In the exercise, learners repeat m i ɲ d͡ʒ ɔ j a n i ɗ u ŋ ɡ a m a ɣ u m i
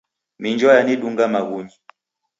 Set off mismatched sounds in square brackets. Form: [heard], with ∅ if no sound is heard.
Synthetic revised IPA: m i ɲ d͡ʒ ɔ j a n i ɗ u ŋ ɡ a m a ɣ u [ɲ] i